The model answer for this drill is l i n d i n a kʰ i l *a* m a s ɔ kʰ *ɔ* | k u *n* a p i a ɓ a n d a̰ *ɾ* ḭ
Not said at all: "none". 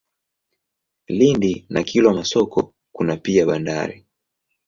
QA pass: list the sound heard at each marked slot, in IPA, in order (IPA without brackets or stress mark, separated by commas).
a, ɔ, n, ɾ